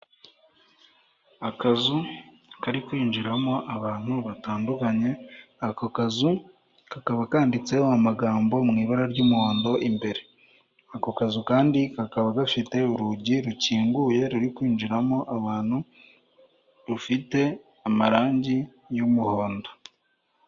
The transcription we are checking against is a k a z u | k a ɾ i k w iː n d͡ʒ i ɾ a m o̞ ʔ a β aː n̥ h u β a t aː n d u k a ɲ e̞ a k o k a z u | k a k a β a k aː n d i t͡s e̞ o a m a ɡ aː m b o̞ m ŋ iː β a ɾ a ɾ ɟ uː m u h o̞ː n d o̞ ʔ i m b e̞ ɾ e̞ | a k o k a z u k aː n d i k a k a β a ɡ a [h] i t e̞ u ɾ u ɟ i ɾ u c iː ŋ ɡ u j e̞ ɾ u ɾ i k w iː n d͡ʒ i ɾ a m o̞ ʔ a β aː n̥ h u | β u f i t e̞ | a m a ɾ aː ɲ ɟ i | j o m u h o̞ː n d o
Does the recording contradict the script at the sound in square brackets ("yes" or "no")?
yes